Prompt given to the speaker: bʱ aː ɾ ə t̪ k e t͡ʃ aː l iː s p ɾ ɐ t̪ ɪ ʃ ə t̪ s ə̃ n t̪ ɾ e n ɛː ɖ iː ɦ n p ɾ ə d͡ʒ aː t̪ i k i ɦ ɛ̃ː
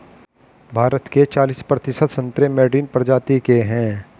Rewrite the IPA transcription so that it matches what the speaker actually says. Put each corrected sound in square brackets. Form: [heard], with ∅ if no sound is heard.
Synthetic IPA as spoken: bʱ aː ɾ ə t̪ k e t͡ʃ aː l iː s p ɾ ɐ t̪ ɪ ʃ ə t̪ s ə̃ n t̪ ɾ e [m] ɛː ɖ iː [∅] n p ɾ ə d͡ʒ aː t̪ i k [e] ɦ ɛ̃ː